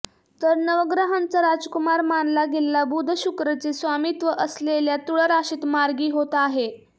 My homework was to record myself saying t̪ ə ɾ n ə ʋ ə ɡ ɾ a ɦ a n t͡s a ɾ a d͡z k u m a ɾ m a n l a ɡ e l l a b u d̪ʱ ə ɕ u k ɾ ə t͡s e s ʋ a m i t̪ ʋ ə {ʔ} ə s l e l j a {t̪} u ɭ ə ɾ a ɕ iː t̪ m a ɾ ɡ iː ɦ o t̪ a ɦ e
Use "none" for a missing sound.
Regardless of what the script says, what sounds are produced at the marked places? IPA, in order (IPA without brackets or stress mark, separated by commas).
ʔ, t̪